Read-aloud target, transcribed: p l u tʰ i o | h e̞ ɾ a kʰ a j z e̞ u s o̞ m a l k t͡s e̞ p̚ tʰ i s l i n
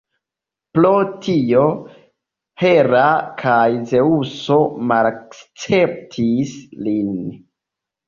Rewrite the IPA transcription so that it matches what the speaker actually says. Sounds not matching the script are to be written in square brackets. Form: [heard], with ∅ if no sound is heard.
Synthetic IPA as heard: p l [o] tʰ i o | h e̞ ɾ a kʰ a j z e̞ u s o̞ m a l k t͡s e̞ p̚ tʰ i s l i n